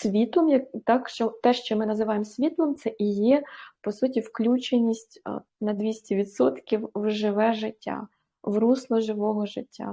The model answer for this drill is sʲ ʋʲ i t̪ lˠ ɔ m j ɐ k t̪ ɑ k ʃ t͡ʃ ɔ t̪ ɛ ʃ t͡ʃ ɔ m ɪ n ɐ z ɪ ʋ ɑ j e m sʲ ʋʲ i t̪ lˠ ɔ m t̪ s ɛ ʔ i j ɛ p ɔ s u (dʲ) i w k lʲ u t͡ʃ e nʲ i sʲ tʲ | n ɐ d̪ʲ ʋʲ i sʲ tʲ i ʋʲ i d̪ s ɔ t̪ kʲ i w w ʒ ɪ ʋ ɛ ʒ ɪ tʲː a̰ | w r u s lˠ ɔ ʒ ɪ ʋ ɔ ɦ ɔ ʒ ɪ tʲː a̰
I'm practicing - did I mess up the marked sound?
yes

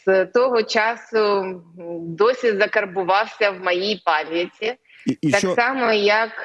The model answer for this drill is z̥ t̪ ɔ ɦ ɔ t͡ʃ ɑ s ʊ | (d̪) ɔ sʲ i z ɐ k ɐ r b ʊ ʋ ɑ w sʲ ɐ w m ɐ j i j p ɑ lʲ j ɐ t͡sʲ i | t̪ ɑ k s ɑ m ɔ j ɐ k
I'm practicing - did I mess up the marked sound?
no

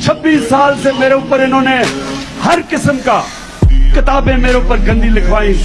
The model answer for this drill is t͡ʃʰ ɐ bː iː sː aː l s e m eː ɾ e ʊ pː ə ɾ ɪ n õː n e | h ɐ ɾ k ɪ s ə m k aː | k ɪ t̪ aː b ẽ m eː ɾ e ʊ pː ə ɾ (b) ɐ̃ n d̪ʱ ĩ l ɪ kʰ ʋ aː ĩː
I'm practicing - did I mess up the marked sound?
yes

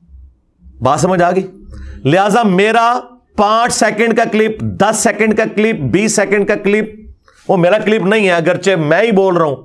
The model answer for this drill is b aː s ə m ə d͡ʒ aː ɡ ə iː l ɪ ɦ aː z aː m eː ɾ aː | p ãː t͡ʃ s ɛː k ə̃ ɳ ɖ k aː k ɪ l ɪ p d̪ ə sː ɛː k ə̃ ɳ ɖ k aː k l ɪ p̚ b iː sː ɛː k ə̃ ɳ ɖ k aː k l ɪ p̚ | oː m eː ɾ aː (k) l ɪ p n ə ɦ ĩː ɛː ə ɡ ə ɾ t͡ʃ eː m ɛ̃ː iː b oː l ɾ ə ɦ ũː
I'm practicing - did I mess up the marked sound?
no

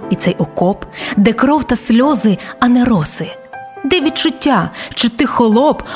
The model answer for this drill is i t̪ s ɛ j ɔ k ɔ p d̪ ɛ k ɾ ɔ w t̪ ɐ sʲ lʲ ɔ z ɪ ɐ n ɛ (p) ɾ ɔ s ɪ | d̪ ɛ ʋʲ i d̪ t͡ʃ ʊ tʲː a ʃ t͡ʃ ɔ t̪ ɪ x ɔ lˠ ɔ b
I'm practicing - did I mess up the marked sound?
yes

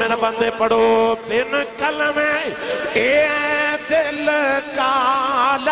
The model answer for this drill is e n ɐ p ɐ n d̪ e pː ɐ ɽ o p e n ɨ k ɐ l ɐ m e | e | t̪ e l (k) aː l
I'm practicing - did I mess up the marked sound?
no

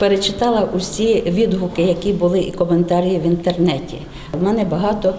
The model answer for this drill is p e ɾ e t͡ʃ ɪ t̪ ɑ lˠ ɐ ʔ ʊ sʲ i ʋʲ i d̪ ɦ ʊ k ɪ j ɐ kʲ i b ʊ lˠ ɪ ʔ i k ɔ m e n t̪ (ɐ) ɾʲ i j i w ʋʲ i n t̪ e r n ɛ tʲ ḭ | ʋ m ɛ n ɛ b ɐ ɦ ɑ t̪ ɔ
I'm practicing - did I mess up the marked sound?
yes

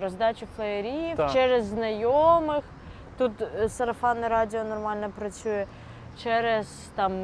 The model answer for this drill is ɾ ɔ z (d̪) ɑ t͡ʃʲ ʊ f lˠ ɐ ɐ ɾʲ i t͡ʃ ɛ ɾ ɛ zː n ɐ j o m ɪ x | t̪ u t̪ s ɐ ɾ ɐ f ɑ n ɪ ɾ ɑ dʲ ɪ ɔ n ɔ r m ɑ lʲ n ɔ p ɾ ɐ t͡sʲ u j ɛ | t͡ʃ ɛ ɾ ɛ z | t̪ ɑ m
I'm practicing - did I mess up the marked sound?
no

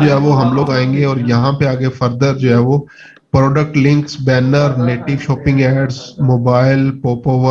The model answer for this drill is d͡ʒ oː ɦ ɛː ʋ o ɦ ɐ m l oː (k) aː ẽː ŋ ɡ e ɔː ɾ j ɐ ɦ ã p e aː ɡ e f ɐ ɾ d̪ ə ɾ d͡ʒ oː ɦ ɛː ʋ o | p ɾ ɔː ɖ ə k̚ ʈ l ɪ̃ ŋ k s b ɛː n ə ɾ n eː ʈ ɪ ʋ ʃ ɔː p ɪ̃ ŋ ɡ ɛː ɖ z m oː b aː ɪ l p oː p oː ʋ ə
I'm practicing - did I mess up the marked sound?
yes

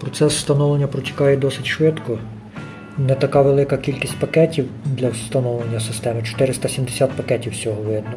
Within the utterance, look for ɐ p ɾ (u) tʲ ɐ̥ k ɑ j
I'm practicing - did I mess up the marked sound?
yes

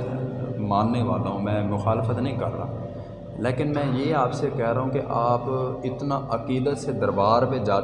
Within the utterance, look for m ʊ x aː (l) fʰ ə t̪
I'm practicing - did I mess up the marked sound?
no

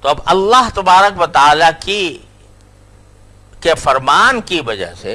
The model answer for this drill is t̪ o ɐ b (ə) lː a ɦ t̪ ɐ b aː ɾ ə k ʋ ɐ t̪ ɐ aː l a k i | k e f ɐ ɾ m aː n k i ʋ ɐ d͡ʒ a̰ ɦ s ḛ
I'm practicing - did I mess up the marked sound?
yes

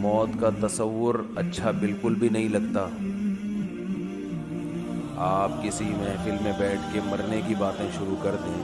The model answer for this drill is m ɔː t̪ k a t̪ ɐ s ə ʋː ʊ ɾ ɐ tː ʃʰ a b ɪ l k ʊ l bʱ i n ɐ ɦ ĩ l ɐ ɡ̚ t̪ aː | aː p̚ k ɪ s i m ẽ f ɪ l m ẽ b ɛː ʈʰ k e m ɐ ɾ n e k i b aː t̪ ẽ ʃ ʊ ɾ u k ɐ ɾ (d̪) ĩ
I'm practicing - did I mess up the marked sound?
no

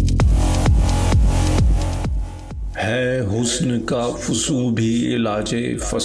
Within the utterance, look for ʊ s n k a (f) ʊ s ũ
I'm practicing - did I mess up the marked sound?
no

